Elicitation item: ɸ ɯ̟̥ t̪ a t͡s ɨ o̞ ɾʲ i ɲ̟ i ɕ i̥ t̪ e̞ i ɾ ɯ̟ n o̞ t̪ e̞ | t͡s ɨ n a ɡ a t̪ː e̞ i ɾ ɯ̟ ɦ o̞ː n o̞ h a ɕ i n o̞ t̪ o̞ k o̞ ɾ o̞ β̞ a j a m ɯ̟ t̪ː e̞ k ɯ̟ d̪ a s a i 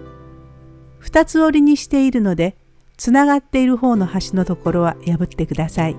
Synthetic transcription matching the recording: ɸ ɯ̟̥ t̪ a t͡s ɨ o̞ ɾʲ i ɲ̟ i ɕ i̥ t̪ e̞ i ɾ ɯ̟ n o̞ d̪ e̞ | t͡s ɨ n a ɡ a t̪ː e̞ i ɾ ɯ̟ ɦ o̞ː n o̞ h a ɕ i n o̞ t̪ o̞ k o̞ ɾ o̞ β̞ a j a b ɯ̟ t̪ː e̞ k ɯ̟ d̪ a s a i